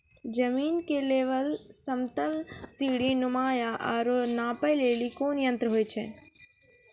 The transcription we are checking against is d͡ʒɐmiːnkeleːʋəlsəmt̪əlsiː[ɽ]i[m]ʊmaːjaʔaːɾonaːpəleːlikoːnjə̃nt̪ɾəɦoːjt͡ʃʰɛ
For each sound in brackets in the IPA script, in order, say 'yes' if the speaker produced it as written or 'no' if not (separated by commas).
yes, no